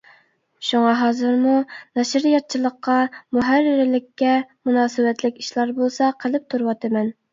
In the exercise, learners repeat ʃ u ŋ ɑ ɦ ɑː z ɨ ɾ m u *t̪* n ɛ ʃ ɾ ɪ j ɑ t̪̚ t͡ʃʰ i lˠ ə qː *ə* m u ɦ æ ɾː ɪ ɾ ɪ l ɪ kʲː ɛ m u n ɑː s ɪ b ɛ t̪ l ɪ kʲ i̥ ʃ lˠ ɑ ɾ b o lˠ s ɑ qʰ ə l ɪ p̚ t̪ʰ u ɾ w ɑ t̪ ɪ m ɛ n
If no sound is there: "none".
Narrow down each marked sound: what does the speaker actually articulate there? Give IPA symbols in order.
none, ɑ

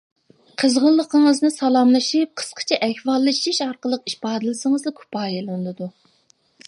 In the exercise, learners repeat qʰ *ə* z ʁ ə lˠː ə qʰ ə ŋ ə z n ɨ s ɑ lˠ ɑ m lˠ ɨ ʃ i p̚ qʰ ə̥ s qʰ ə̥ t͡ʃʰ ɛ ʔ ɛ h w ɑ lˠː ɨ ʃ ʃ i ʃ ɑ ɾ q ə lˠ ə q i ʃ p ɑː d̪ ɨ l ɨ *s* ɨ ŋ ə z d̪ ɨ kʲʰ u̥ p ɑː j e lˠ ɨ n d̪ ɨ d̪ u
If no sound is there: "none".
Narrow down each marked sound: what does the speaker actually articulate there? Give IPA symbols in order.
ə, s

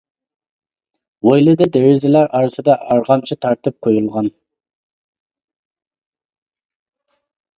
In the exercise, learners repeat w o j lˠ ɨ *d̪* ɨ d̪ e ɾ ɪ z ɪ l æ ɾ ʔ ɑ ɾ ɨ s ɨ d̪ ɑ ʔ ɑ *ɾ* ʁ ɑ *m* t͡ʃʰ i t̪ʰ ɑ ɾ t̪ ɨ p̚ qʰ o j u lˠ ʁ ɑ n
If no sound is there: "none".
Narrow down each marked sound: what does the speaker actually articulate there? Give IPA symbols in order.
d̪, ɾ, m

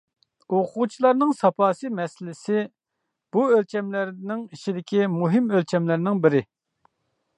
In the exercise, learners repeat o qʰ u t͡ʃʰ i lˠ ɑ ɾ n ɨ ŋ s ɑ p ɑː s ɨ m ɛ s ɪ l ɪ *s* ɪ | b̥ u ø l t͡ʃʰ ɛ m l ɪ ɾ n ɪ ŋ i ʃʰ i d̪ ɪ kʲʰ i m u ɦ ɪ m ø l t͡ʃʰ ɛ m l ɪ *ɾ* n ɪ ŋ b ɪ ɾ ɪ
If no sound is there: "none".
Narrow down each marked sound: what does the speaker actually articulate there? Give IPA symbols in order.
s, ɾ

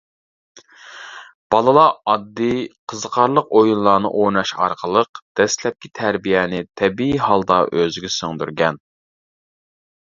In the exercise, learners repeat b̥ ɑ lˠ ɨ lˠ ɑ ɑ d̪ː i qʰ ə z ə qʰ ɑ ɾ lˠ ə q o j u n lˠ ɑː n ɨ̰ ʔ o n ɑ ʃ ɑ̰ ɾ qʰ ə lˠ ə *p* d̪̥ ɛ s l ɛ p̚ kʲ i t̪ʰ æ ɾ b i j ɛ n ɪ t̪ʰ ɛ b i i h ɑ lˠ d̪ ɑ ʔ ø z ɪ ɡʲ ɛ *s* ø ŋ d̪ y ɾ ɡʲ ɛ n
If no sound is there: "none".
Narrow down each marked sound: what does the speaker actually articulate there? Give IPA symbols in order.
q, s

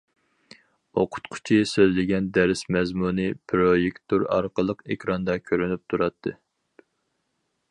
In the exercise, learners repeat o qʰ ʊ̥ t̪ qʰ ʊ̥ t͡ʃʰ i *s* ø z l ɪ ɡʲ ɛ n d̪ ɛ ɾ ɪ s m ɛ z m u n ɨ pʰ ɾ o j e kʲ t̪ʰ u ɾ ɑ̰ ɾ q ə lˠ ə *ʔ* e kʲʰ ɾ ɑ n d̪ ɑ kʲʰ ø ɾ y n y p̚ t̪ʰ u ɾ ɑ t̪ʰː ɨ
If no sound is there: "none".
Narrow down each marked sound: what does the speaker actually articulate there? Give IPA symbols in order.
s, q

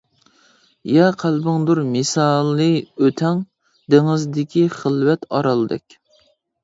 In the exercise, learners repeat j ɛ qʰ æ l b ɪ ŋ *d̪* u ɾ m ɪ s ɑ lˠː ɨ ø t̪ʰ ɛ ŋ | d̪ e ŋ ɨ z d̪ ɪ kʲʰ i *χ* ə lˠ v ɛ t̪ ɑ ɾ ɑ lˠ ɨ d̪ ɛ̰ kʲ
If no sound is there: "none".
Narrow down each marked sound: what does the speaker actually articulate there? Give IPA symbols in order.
d̪, χ

